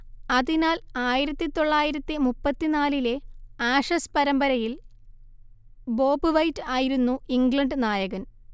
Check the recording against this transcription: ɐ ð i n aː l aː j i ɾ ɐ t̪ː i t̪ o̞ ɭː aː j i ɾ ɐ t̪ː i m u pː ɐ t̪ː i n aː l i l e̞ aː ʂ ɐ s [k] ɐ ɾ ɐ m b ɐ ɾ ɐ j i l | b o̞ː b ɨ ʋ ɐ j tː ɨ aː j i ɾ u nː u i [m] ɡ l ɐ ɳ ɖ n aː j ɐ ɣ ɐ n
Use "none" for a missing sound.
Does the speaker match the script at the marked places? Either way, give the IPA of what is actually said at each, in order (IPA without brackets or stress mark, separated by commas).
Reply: p, ŋ